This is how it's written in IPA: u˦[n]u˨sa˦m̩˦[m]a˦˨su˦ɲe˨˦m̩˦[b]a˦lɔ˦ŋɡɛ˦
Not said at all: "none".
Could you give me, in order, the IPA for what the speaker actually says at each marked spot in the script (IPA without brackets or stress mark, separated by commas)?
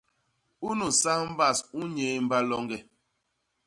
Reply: n, b, b